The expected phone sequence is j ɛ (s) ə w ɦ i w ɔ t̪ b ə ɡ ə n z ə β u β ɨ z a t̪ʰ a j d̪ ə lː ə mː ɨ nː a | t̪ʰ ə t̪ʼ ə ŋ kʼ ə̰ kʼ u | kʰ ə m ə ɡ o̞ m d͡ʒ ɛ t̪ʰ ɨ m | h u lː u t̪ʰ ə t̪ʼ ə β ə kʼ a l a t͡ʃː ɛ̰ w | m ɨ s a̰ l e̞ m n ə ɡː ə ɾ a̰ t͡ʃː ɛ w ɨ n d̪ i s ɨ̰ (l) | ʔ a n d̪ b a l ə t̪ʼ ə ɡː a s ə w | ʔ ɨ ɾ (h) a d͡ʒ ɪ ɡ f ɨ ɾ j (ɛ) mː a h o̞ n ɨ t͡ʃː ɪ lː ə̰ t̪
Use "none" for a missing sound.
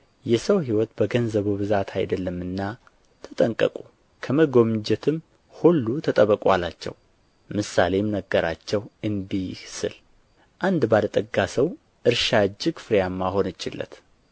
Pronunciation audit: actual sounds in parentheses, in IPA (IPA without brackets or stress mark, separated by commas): s, l, ʃ, a